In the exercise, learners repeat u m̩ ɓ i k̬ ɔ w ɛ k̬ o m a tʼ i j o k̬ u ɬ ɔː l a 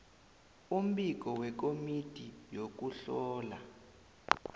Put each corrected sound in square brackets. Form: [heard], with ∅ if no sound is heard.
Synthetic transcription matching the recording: u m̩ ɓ i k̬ ɔ w ɛ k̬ o m [i] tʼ i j o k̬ u ɬ ɔː l a